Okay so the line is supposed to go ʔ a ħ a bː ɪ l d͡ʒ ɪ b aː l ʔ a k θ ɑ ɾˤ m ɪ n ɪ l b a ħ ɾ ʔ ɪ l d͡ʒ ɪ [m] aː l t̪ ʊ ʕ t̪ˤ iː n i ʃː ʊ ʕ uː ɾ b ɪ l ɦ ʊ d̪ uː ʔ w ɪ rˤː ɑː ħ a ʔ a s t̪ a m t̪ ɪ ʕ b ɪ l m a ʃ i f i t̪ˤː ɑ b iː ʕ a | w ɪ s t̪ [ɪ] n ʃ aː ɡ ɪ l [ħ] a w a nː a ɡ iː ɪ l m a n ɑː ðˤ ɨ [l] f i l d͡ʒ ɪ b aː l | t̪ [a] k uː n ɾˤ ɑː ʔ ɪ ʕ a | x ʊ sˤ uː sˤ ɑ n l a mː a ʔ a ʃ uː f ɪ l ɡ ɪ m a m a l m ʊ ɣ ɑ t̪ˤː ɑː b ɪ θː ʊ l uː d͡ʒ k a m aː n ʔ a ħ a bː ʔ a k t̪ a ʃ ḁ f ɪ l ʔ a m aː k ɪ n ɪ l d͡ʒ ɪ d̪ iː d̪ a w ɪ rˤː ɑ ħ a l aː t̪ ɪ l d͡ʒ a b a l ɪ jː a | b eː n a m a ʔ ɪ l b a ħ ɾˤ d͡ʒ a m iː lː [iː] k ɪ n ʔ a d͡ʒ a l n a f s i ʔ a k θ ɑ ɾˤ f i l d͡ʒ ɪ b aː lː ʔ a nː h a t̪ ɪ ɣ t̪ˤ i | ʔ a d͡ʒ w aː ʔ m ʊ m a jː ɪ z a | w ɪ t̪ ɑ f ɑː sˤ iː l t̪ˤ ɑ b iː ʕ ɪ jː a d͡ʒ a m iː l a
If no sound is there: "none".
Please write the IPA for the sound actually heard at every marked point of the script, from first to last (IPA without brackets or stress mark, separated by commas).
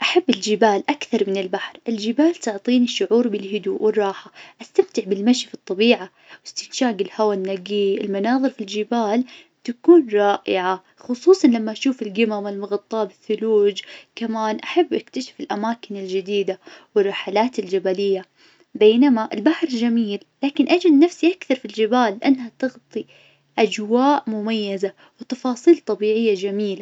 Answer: b, ɪ, h, ɾ, a, aː